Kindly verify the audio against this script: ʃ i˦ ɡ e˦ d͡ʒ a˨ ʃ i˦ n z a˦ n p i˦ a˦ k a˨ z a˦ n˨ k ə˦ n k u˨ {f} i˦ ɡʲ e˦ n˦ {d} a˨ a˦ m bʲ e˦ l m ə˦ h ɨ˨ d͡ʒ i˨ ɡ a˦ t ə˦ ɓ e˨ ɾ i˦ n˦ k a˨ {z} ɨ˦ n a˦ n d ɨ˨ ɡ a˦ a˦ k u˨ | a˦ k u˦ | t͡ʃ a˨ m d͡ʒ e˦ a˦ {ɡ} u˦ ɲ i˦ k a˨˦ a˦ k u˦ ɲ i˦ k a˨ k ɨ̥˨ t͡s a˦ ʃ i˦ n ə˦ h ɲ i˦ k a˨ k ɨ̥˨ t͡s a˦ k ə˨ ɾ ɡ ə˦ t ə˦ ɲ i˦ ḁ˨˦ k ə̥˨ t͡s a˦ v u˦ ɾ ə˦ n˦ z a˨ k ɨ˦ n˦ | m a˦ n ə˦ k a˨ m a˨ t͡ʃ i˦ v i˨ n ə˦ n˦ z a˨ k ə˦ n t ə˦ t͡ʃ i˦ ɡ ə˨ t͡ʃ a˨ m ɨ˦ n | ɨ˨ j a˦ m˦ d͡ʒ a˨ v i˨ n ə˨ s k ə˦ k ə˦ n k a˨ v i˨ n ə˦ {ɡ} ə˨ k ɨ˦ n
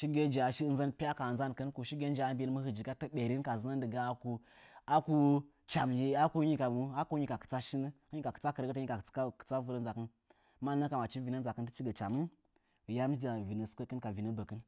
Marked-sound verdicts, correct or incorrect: incorrect: ʃ, incorrect: d͡ʒ, correct, incorrect: k, incorrect: b

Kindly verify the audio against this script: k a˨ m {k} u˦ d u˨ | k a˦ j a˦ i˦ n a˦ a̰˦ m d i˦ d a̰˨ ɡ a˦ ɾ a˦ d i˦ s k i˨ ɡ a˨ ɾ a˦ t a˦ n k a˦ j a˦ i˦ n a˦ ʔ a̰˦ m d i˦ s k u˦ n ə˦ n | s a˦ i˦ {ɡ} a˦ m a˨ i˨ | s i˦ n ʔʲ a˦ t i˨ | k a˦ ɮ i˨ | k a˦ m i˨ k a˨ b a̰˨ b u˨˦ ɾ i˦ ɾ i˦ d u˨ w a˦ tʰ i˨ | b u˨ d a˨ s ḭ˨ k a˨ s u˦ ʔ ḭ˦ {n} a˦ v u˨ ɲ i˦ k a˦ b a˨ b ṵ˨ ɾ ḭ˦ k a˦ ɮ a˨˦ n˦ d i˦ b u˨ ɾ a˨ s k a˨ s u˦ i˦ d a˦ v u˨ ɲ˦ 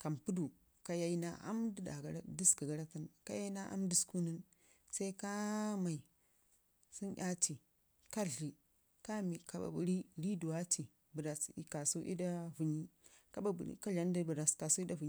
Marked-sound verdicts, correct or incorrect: incorrect: p, incorrect: k, incorrect: d

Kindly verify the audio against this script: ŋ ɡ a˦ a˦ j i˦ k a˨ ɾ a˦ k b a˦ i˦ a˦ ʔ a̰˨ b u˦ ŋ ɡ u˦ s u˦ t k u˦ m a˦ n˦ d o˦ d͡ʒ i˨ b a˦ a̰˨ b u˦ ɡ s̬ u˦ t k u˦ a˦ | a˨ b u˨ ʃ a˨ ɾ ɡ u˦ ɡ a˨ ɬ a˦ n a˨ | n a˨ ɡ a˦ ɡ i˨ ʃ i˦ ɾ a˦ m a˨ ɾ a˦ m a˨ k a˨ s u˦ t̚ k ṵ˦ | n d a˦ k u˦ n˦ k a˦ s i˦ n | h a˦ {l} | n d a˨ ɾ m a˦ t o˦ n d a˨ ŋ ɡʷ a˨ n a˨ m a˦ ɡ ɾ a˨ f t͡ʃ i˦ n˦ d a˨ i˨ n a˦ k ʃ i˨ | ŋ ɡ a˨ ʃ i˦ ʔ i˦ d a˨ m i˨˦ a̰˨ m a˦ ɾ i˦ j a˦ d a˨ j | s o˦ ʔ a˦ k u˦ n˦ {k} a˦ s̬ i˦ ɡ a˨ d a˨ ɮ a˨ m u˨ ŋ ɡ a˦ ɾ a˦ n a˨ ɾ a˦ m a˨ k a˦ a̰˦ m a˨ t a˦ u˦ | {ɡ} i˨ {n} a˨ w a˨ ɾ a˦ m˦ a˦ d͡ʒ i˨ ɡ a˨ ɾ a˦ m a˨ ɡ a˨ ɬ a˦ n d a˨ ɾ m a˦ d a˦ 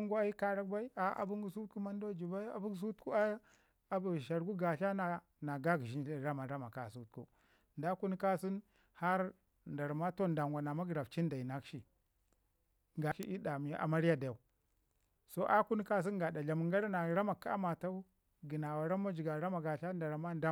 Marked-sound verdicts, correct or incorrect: incorrect: ɾ, correct, correct, correct

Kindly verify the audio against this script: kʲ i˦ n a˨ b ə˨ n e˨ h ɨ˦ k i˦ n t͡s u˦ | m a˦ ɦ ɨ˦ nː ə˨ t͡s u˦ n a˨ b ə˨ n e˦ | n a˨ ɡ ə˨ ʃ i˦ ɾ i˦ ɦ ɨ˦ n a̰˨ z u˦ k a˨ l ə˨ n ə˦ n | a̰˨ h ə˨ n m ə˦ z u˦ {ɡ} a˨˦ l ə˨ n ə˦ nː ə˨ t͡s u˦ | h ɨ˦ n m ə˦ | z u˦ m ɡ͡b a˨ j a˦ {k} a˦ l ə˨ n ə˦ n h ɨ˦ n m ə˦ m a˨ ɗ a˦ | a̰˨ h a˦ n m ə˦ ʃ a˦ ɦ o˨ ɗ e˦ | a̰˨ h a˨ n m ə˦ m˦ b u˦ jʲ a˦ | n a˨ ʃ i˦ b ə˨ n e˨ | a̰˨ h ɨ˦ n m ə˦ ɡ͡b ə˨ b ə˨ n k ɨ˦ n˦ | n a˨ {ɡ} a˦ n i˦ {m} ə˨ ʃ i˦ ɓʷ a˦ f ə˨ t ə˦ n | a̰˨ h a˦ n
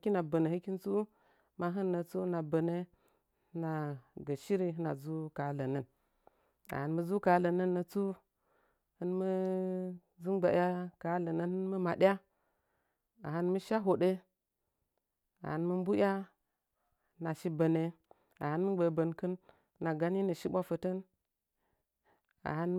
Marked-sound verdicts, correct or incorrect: incorrect: k, correct, correct, incorrect: n

